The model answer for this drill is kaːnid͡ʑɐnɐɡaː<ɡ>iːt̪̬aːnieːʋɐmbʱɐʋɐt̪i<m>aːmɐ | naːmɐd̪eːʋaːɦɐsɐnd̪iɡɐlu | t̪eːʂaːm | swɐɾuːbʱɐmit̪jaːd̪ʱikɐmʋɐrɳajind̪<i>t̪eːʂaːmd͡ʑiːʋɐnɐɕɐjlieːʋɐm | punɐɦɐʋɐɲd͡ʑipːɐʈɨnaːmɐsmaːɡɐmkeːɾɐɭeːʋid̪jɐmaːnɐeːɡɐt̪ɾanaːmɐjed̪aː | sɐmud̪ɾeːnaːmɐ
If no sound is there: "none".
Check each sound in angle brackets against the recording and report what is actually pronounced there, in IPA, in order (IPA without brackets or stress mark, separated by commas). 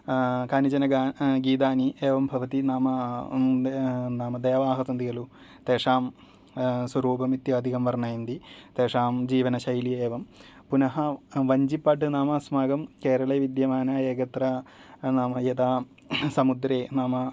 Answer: ɡ, n, i